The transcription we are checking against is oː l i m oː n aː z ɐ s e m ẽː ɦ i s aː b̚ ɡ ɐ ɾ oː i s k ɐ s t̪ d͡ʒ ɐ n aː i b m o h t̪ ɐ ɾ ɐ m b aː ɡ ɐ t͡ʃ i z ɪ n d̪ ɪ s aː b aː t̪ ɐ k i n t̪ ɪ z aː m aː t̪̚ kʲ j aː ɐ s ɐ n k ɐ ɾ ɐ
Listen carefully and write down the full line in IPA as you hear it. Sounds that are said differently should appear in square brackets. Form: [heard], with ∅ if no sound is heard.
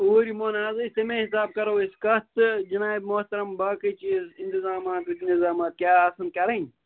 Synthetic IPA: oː [ɾ] i m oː n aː z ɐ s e m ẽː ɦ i s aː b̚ [k] ɐ ɾ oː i s k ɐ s t̪ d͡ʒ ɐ n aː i b m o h t̪ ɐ ɾ ɐ m b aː [k] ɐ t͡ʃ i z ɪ n [t̪] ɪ [z] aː [m] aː t̪ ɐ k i n t̪ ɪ z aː m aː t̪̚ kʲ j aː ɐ s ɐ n k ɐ ɾ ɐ